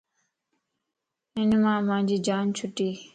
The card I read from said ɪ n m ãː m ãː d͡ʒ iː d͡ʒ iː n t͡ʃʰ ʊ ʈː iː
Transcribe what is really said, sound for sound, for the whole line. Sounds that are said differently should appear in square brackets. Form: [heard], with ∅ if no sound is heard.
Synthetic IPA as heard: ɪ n m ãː m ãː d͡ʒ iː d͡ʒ [aː] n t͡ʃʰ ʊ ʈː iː